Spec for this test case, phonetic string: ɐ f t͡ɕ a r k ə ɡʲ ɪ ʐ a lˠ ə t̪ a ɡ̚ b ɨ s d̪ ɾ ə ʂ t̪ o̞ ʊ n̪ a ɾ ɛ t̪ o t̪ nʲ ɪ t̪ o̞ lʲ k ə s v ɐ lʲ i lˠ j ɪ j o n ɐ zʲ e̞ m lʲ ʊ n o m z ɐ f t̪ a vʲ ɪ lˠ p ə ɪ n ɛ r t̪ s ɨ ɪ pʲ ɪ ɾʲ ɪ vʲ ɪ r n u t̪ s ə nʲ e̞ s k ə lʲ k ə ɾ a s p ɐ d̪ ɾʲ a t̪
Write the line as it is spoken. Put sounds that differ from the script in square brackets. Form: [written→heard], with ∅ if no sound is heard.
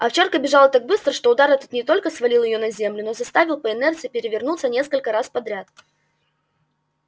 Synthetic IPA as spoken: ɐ f t͡ɕ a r k ə [ɡʲ→bʲ] ɪ ʐ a lˠ ə t̪ a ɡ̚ b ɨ s [d̪→t̪] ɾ ə ʂ t̪ o̞ ʊ [n̪→d̪] a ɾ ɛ t̪ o t̪ nʲ ɪ t̪ o̞ lʲ k ə s v ɐ lʲ i lˠ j ɪ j o n ɐ zʲ e̞ m lʲ ʊ n o [m→∅] z ɐ [f→s] t̪ a vʲ ɪ lˠ p ə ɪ n ɛ r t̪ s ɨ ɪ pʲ ɪ ɾʲ ɪ vʲ ɪ r n u t̪ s ə nʲ e̞ s k ə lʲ k ə ɾ a s p ɐ d̪ ɾʲ a t̪